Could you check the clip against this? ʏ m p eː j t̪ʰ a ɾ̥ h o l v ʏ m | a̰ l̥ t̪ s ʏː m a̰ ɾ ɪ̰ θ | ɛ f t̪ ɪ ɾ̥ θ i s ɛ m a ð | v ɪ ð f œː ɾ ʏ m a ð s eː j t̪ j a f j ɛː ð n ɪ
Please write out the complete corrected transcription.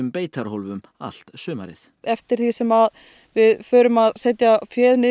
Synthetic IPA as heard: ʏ m p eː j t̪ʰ a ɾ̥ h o l v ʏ m | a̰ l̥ t̪ s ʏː m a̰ ɾ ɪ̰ θ | ɛ f t̪ ɪ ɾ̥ θ i s ɛ m a ð | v ɪ ð f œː ɾ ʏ m a ð s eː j t̪ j a f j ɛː ð n ɪ